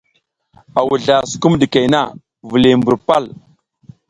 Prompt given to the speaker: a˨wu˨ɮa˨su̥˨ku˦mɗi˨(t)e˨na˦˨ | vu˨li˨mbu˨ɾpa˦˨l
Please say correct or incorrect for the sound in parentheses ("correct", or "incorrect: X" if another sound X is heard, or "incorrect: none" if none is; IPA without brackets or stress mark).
incorrect: k